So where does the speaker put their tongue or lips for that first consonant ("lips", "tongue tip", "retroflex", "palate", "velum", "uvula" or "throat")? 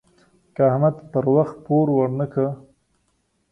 velum